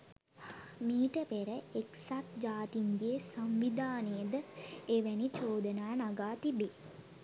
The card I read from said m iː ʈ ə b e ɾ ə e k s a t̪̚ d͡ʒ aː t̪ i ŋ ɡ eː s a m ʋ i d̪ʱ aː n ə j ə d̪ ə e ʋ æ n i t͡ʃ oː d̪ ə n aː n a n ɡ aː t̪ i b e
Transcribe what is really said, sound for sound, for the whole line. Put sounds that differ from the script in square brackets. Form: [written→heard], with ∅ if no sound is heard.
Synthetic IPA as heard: m iː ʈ ə [b→p] e ɾ ə e k s a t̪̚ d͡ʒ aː t̪ i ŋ ɡ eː s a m ʋ i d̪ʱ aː n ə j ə d̪ ə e ʋ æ n i t͡ʃ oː d̪ ə n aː n a [n→∅] ɡ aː t̪ i b e